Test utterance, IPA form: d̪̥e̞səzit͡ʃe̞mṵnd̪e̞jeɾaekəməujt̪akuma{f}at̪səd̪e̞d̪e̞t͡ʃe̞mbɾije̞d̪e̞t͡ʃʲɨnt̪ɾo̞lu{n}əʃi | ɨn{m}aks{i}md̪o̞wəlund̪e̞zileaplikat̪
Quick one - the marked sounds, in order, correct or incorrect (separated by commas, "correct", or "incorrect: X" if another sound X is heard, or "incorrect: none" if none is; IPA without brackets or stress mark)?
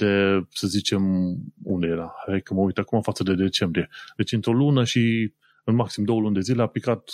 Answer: correct, correct, correct, correct